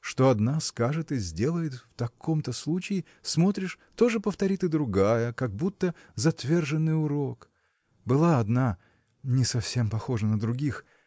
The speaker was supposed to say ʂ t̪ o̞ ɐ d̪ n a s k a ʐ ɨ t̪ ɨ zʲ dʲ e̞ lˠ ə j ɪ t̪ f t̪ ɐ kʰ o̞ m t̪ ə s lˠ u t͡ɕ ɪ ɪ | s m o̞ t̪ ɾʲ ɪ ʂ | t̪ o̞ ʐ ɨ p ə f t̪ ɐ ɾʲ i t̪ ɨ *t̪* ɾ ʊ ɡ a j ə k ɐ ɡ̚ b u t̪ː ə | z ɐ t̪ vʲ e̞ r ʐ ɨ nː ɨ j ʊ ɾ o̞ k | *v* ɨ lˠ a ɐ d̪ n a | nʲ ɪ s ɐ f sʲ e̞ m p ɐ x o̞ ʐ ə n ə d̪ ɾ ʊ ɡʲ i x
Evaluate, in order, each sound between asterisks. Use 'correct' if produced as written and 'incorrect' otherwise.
incorrect: d̪, incorrect: b

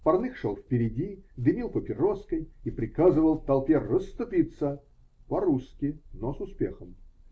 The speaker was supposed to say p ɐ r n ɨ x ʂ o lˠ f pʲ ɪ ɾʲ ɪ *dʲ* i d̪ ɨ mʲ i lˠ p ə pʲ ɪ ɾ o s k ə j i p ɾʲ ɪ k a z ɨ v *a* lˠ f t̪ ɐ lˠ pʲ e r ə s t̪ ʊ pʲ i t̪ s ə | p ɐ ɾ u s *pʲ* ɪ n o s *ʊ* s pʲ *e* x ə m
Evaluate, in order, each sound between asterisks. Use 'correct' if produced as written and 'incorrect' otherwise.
correct, incorrect: ə, incorrect: kʲ, correct, correct

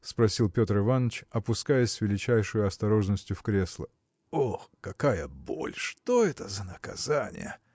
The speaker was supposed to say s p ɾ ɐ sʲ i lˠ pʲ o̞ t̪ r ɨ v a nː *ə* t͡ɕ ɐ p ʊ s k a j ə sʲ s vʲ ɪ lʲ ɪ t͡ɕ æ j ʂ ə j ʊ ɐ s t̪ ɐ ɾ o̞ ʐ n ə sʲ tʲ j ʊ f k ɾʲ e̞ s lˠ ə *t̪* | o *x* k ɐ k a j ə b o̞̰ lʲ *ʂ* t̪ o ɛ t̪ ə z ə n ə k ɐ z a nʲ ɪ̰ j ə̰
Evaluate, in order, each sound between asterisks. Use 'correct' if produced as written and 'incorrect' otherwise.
correct, incorrect: none, correct, correct

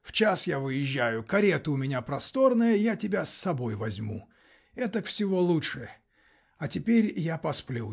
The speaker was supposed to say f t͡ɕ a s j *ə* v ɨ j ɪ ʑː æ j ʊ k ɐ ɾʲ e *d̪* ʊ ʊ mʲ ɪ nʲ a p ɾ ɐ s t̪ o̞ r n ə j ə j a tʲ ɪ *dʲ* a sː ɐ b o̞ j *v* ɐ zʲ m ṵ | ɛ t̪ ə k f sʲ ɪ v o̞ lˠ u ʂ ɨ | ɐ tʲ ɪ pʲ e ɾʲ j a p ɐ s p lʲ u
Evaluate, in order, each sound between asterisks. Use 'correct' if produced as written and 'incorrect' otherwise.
incorrect: a, incorrect: t̪, incorrect: bʲ, correct

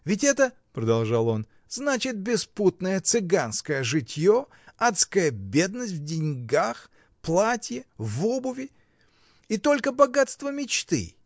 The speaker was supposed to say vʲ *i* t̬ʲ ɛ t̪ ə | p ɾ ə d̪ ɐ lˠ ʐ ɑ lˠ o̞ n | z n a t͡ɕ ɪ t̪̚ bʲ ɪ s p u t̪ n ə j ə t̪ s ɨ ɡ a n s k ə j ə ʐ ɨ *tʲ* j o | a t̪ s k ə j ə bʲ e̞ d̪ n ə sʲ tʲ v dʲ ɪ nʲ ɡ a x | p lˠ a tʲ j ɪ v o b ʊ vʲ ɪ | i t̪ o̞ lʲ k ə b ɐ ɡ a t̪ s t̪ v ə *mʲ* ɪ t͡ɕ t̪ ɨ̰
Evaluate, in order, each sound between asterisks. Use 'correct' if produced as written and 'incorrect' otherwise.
incorrect: ɪ, correct, correct

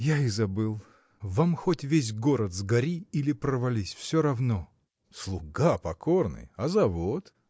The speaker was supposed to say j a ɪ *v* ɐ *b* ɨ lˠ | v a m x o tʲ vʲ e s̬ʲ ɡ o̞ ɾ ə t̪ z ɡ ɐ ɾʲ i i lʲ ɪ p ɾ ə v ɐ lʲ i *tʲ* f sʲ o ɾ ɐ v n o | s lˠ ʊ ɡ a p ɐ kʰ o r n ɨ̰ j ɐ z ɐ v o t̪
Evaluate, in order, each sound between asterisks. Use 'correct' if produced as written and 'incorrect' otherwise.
incorrect: z, correct, incorrect: sʲ

